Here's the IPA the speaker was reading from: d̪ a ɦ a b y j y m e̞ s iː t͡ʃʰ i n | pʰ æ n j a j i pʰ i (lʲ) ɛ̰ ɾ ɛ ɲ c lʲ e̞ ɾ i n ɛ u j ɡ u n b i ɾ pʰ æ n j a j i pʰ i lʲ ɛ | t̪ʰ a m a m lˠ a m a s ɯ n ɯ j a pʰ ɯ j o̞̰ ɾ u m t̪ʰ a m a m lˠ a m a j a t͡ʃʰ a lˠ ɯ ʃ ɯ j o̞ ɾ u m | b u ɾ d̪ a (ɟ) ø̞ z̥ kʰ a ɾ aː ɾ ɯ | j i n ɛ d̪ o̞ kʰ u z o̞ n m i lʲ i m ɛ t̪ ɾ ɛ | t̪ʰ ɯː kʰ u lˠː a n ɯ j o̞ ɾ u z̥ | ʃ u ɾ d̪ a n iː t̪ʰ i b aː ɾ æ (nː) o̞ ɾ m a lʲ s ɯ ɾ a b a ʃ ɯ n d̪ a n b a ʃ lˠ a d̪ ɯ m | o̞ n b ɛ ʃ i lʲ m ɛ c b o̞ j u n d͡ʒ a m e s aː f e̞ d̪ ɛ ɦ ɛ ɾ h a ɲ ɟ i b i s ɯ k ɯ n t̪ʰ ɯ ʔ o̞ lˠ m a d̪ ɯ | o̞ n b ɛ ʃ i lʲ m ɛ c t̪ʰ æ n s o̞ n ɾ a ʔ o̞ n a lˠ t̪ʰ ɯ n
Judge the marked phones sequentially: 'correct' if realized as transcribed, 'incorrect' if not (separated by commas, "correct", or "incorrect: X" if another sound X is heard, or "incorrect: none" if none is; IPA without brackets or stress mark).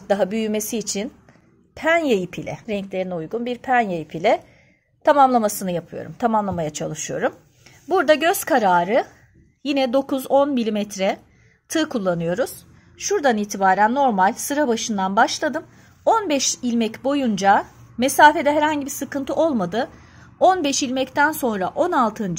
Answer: correct, correct, correct